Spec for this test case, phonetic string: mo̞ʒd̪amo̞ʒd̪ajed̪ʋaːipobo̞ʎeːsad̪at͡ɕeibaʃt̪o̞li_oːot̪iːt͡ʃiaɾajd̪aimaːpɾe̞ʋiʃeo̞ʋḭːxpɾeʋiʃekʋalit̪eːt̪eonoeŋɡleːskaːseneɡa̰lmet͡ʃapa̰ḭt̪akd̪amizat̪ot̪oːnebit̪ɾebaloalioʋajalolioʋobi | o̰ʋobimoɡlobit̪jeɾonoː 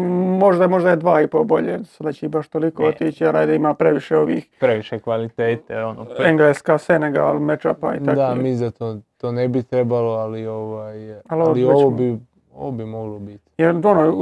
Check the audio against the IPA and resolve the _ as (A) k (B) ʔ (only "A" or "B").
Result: A